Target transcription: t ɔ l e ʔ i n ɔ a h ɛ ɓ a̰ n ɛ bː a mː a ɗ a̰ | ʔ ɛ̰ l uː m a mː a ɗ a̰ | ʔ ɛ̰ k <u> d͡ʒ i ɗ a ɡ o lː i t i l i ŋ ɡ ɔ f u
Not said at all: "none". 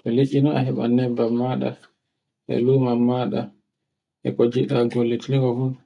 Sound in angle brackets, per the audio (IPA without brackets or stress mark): ɔ